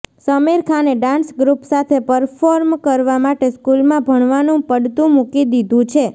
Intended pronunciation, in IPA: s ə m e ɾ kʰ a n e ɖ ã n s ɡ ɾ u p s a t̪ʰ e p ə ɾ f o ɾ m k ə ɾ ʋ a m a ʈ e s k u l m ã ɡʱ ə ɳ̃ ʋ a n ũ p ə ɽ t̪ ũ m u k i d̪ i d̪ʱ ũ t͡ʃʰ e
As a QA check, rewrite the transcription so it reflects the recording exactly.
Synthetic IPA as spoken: s ə m e ɾ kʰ a n e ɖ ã n s ɡ ɾ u p s a t̪ʰ e p ə ɾ f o ɾ m k ə ɾ ʋ a m a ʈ e s k u l m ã bʱ ə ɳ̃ ʋ a n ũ p ə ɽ t̪ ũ m u k i d̪ i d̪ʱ ũ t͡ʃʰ e

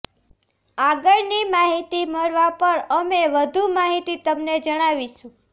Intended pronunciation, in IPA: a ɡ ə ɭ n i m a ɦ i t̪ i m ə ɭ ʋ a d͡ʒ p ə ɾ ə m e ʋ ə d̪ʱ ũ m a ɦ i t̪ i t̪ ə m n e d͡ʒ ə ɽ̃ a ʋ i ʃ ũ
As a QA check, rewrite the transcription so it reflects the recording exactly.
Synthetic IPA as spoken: a ɡ ə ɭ n i m a ɦ i t̪ i m ə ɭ ʋ a p ə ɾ ə m e ʋ ə d̪ʱ u m a ɦ i t̪ i t̪ ə m n e d͡ʒ ə ɽ̃ a ʋ i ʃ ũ

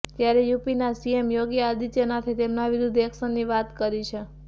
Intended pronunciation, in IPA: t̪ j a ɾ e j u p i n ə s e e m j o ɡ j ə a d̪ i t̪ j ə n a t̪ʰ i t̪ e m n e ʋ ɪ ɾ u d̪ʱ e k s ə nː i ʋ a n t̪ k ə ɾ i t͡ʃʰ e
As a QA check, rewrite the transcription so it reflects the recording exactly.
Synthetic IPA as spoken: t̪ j a ɾ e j u p i n a s i e m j o ɡ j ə a d̪ i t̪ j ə n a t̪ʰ i t̪ e m n a ʋ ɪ ɾ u d̪ʱ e k s ə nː i ʋ a t̪ k ə ɾ i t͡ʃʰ e

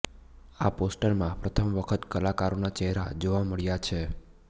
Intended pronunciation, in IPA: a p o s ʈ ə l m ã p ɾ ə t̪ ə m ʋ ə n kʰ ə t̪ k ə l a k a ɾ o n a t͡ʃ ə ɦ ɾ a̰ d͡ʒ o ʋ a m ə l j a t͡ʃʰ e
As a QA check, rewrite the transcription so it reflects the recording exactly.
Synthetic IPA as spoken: a p o s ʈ ə ɾ m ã p ɾ ə t̪ʰ ə m ʋ ə kʰ ə t̪ k ə l a k a ɾ o n a t͡ʃ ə ɦ ɾ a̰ d͡ʒ o ʋ a m ə ɭ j a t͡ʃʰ e

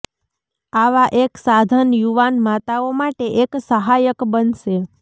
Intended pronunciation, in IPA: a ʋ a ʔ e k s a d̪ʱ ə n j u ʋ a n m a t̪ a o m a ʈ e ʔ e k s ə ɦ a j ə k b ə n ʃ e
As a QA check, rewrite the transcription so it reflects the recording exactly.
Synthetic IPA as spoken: a ʋ a ʔ e k s a d̪ʱ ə n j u ʋ a n m a t̪ a o m a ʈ e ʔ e k s ə ɦ a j ə k b ə n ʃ e

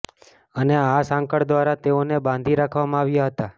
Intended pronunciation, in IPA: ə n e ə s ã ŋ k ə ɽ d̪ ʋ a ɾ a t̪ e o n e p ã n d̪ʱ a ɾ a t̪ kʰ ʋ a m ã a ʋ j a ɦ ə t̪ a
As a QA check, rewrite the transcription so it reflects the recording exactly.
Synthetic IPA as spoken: ə n e a s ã ŋ k ə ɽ d̪ ʋ a ɾ a t̪ e o n e b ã n d̪ʱ i ɾ a kʰ ʋ a m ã a ʋ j a ɦ ə t̪ a

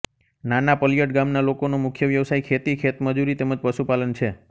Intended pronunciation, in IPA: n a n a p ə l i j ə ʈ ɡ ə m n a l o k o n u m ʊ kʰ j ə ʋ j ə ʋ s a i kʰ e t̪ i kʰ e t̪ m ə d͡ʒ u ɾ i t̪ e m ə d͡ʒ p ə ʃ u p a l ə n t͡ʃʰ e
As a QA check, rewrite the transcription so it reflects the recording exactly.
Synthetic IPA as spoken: n a n a p ə l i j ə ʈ ɡ a m n a l o k o n o m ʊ kʰ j ə ʋ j ə ʋ s a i kʰ e t̪ i kʰ e t̪ m ə d͡ʒ u ɾ i t̪ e m ə d͡ʒ p ə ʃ u p a l ə n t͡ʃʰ e

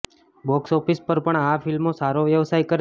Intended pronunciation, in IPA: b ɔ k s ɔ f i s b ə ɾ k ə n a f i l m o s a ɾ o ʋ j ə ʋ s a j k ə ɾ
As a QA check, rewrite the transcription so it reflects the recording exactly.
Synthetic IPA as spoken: b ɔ k s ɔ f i s p ə ɾ p ə ɳ a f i l m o s a ɾ o ʋ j ə ʋ s a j k ə ɾ

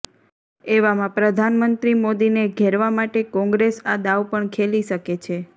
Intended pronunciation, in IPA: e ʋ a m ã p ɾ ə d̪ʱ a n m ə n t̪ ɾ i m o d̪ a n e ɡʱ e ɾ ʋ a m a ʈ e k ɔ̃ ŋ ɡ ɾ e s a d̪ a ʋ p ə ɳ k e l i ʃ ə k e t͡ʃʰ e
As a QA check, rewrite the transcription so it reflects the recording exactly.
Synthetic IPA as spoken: e ʋ a m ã p ɾ ə d̪ʱ a n m ə n t̪ ɾ i m o d̪ i n e ɡʱ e ɾ ʋ a m a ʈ e k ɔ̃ ŋ ɡ ɾ e s a d̪ a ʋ p ə ɳ kʰ e l i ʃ ə k e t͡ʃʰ e

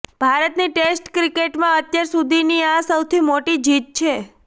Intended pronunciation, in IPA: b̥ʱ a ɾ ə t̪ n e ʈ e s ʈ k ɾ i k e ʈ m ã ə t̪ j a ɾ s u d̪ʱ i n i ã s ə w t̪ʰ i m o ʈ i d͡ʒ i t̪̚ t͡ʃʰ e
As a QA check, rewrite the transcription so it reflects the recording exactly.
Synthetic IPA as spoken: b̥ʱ a ɾ ə t̪ n i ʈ e s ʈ k ɾ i k e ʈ m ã ə t̪ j a ɾ s u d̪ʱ i n i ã s ə w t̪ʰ i m o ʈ i d͡ʒ i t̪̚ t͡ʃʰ e

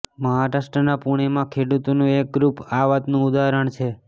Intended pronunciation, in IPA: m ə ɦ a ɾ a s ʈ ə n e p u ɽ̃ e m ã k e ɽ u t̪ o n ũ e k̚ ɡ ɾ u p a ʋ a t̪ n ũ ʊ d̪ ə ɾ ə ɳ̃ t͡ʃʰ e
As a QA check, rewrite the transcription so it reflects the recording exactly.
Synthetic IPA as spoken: m ə ɦ a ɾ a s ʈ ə n a p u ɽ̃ e m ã kʰ e ɽ u t̪ o n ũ e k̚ ɡ ɾ u p a ʋ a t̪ n ũ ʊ d̪ a ɾ ə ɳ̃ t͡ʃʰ e

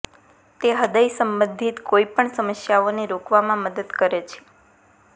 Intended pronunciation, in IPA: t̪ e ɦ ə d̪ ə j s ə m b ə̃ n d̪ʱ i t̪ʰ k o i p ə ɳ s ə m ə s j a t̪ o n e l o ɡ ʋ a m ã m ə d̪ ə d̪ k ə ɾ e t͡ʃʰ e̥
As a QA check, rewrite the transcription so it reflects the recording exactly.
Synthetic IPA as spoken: t̪ e ɦ ə d̪ ə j s ə m b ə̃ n d̪ʱ i t̪ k o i p ə ɳ s ə m ə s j a o n e ɾ o k ʋ a m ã m ə d̪ ə d̪ k ə ɾ e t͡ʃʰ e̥

